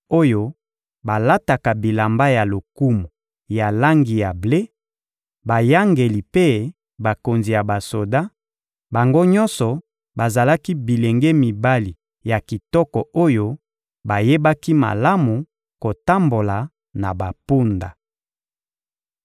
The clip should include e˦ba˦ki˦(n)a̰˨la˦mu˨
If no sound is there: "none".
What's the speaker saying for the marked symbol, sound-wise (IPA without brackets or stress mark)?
m